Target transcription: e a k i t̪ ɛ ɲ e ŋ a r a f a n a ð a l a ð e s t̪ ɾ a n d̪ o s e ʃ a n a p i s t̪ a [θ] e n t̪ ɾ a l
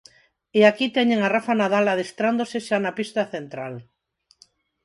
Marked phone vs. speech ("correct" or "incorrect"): correct